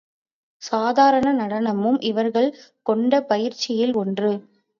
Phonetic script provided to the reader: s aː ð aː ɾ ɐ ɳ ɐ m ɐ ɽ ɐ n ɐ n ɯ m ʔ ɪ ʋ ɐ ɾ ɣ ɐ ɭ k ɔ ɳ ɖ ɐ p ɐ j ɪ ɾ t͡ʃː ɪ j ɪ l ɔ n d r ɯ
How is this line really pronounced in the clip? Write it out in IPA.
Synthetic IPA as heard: s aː ð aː ɾ ɐ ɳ ɐ n ɐ ɽ ɐ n ɐ m ɯ m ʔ ɪ ʋ ɐ ɾ ɣ ɐ ɭ k ɔ ɳ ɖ ɐ p ɐ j ɪ ɾ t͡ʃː ɪ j ɪ l ɔ n d r ɯ